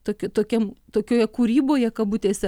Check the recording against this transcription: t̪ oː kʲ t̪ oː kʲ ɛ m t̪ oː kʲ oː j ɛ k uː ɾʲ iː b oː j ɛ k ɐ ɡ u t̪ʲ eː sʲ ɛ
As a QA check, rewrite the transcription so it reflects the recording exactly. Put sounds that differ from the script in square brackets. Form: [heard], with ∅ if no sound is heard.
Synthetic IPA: t̪ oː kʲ t̪ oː kʲ ɛ m t̪ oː kʲ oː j ɛ k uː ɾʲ iː b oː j ɛ k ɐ [b] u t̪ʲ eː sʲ ɛ